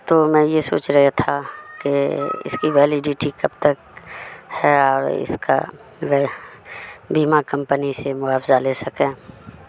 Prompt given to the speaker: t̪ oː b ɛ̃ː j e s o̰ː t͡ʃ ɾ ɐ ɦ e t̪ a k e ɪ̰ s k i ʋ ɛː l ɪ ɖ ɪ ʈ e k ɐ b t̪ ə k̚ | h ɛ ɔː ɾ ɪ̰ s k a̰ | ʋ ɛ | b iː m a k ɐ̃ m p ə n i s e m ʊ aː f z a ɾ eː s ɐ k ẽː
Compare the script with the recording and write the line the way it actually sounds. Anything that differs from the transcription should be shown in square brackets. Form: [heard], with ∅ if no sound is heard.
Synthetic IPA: t̪ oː [m] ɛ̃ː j e s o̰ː t͡ʃ ɾ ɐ ɦ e [t̪ʰ] a k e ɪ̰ s k i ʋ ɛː l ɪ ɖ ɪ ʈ [i] k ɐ b t̪ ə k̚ | h ɛ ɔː ɾ ɪ̰ s k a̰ | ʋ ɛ | b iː m a k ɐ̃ m p ə n i s e m ʊ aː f z a [l] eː s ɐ k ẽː